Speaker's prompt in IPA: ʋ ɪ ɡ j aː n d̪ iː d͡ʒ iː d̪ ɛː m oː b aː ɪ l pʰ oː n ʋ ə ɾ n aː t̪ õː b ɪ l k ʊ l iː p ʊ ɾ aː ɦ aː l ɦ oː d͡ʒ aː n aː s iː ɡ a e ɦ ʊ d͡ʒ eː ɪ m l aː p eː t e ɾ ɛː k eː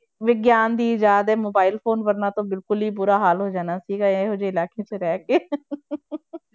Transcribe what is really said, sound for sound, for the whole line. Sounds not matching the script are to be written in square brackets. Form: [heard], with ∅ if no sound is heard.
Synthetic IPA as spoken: ʋ ɪ ɡ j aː n d̪ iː d͡ʒ [aː] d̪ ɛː m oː b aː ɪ l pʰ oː n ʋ ə ɾ n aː t̪ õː b ɪ l k ʊ l iː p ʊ ɾ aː ɦ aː l ɦ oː d͡ʒ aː n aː s iː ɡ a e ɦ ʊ d͡ʒ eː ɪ [∅] l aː [k] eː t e ɾ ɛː k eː